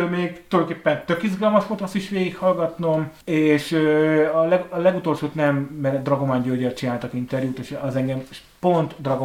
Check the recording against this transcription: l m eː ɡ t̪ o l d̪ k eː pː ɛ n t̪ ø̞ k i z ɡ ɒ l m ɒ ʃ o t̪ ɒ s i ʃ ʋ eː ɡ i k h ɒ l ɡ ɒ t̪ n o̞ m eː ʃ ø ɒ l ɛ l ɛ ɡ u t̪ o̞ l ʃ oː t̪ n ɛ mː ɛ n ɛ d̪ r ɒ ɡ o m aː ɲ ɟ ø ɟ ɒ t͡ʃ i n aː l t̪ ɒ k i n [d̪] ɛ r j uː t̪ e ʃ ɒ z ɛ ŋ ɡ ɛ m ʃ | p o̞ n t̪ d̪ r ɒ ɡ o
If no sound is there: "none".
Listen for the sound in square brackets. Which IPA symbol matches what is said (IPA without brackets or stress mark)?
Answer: t̪